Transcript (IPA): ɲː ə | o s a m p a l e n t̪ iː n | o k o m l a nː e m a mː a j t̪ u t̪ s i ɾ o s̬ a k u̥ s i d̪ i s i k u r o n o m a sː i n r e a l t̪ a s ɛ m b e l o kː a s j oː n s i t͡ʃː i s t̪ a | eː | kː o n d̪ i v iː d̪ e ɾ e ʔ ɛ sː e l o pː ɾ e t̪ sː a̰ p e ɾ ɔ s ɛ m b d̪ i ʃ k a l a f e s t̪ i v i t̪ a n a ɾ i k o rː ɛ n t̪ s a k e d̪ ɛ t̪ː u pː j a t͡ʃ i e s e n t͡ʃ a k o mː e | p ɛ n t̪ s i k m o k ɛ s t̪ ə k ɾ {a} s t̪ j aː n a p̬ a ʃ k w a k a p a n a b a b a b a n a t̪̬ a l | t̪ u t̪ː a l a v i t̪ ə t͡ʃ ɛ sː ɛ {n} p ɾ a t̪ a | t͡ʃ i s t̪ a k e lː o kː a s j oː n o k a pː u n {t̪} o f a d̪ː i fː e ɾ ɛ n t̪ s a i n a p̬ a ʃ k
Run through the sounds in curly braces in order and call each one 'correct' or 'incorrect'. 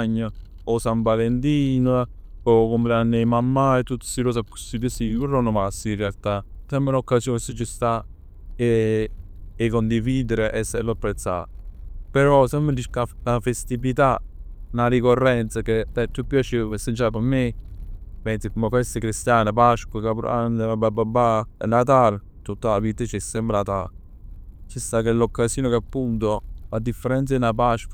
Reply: incorrect: i, incorrect: m, correct

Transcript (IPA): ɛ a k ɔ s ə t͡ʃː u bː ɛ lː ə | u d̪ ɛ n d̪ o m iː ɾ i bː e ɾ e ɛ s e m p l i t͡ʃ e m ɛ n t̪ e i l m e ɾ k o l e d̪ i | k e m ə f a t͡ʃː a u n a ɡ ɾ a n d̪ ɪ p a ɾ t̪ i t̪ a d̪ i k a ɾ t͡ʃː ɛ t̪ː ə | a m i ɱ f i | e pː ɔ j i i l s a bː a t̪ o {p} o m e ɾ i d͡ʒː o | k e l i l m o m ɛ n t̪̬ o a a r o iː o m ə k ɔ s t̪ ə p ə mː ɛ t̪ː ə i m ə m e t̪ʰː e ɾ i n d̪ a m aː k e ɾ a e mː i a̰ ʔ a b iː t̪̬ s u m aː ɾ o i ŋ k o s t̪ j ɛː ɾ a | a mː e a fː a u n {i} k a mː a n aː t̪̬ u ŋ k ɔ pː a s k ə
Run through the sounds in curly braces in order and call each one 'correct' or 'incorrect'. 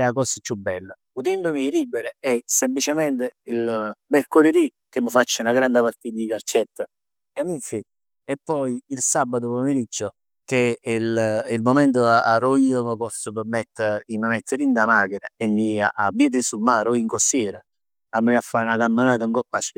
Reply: correct, incorrect: a

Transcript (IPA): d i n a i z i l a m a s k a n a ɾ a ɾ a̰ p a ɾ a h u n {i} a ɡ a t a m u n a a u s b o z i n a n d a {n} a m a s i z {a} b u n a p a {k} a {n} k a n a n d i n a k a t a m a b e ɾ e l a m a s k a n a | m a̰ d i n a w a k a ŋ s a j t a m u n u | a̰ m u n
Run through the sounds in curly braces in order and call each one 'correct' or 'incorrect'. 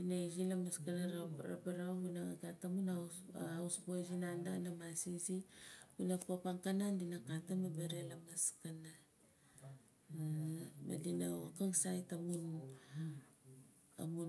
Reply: incorrect: a, correct, incorrect: i, incorrect: p, incorrect: ŋ

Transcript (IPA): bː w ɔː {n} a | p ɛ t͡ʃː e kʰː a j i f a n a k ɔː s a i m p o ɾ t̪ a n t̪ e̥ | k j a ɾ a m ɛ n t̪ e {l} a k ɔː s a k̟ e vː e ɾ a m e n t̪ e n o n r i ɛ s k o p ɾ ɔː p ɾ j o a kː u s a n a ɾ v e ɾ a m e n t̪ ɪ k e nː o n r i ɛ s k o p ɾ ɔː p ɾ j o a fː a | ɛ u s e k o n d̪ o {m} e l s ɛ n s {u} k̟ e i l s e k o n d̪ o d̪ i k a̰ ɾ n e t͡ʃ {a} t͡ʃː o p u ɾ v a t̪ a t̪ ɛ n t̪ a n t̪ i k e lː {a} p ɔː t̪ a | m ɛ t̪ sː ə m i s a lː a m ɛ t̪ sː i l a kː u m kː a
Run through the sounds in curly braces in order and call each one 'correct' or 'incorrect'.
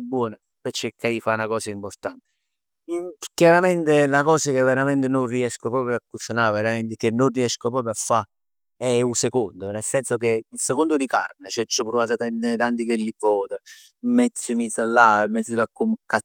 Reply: correct, correct, incorrect: n, incorrect: o, incorrect: ɛ, incorrect: i

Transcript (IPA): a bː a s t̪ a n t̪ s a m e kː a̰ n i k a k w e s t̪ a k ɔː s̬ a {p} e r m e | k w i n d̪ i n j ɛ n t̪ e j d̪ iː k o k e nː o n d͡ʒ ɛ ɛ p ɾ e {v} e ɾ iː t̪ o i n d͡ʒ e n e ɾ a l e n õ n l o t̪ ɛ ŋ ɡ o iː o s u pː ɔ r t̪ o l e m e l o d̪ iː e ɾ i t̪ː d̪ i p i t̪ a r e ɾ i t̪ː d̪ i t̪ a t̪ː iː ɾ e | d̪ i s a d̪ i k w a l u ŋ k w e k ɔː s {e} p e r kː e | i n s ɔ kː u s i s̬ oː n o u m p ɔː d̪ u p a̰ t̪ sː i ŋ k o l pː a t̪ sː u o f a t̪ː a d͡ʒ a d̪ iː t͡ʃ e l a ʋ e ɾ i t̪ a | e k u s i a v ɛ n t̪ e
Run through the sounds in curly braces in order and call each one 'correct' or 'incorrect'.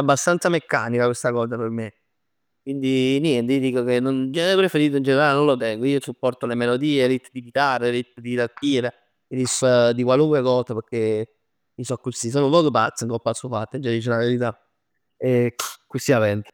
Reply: correct, incorrect: f, incorrect: a

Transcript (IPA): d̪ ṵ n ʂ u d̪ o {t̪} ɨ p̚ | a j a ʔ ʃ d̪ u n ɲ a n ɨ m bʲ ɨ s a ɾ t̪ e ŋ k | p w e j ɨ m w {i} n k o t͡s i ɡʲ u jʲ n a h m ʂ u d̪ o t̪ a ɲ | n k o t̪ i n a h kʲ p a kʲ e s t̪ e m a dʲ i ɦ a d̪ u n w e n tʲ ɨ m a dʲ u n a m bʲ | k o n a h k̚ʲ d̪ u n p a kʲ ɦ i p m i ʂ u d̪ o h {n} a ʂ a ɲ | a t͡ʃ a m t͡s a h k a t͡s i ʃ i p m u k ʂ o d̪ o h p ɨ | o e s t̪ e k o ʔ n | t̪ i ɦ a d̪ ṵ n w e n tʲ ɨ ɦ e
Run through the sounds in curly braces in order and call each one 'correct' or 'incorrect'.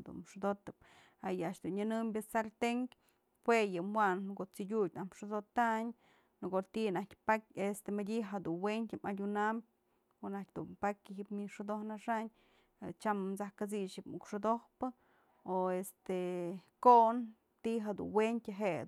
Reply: correct, incorrect: a, correct

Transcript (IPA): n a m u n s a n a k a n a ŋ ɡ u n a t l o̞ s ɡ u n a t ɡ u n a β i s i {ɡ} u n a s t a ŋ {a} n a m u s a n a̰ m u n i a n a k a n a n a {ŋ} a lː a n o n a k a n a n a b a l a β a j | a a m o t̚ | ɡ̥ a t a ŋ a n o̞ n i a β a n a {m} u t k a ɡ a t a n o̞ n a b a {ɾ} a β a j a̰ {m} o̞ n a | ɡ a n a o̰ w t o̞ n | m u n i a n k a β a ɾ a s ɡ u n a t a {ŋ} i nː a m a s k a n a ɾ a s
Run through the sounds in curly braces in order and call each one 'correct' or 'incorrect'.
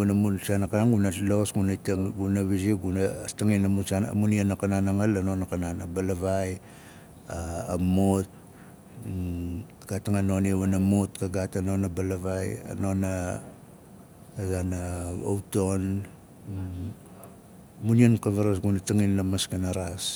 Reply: correct, incorrect: i, correct, correct, incorrect: l, incorrect: n, correct

